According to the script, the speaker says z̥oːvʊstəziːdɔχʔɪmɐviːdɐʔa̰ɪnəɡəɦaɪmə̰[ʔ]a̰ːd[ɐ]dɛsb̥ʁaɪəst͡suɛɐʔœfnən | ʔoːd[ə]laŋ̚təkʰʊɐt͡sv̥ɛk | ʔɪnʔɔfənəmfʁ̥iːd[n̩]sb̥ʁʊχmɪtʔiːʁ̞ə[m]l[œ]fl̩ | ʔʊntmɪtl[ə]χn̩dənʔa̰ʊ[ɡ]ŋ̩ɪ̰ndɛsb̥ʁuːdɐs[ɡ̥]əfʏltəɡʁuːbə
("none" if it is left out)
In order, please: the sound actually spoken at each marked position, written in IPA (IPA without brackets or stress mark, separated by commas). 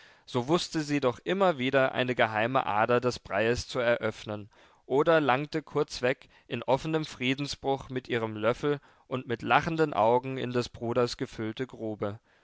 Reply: ʔ, ɐ, ɐ, n̩, m, œ, a, ɡ, ɡ̥